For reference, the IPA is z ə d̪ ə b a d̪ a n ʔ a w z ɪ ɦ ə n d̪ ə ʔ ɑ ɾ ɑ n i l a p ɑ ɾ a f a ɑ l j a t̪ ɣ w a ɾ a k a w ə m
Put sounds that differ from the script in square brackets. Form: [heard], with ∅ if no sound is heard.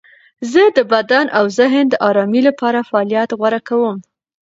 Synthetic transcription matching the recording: z ə d̪ ə b a d̪ a n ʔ a w z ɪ ɦ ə n d̪ ə ʔ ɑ ɾ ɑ [m] i l a p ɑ ɾ a f a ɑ l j a t̪ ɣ w a ɾ a k a w ə m